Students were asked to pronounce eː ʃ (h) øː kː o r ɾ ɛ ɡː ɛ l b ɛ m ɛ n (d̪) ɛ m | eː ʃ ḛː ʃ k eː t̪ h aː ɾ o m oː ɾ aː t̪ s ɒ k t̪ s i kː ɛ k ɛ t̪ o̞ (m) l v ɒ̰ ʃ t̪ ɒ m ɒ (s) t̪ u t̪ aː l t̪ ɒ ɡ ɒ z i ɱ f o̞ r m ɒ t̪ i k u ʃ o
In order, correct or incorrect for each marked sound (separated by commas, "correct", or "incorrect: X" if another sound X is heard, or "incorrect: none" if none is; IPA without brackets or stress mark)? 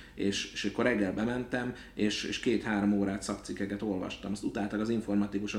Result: incorrect: ʃ, incorrect: t̪, incorrect: none, correct